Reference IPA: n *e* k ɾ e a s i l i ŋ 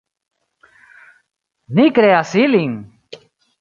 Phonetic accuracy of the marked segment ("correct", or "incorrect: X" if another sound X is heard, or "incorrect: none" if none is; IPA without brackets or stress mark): incorrect: i